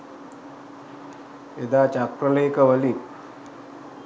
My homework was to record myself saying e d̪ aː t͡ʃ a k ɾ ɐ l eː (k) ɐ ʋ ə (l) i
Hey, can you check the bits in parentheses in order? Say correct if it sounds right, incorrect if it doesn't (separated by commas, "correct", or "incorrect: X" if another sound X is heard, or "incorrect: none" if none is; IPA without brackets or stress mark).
correct, correct